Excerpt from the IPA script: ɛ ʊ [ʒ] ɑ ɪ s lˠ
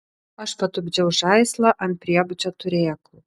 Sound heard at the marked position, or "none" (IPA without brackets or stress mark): ʒ